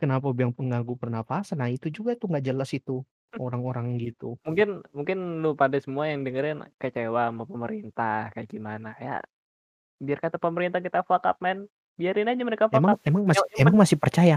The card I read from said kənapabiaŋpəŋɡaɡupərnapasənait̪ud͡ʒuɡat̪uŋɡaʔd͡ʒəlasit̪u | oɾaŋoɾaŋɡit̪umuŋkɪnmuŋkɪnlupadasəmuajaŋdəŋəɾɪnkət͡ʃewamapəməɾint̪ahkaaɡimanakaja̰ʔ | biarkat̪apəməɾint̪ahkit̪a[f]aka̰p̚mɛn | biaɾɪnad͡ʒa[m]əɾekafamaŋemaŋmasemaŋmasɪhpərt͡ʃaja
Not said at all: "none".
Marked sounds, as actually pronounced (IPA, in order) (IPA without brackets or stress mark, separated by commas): f, m